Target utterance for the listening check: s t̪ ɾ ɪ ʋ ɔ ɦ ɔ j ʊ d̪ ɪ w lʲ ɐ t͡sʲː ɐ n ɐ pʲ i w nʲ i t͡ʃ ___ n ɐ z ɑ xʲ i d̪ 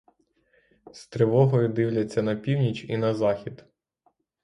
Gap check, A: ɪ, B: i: B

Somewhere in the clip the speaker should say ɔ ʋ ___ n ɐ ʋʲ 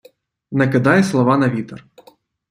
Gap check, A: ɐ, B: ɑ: B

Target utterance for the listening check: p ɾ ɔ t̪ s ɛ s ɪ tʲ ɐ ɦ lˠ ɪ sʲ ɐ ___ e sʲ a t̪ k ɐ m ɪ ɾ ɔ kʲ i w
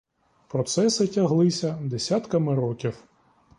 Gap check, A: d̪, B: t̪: A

